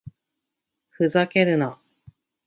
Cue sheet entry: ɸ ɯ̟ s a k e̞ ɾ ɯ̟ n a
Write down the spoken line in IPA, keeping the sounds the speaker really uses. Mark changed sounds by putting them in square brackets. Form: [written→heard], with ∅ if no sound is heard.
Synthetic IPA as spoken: ɸ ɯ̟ [s→z] a k e̞ ɾ ɯ̟ n a